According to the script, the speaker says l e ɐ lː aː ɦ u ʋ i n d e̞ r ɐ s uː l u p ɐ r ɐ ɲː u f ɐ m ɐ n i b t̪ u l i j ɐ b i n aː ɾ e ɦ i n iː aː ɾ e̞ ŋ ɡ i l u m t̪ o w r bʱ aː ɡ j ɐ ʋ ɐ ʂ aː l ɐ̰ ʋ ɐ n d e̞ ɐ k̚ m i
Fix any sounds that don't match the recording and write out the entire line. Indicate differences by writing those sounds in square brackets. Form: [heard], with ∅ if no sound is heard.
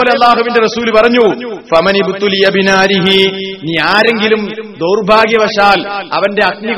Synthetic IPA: l e ɐ lː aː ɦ u ʋ i n d e̞ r ɐ s uː l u p ɐ r ɐ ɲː u f ɐ m ɐ n i b t̪ u l i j ɐ b i n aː ɾ [i] ɦ i n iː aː ɾ e̞ ŋ ɡ i l u m [d̪] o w r bʱ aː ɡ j ɐ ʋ ɐ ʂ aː l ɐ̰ ʋ ɐ n d e̞ ɐ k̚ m i